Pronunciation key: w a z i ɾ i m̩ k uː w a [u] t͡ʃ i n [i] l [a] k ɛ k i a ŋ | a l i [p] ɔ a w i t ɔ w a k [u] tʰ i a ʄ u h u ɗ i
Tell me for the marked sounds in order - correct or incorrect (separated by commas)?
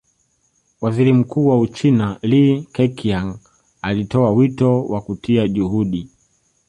correct, incorrect, incorrect, incorrect, correct